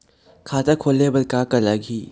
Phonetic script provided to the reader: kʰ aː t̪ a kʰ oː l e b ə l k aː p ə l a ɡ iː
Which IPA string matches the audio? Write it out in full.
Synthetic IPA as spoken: kʰ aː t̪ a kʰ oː l e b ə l k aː k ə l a ɡ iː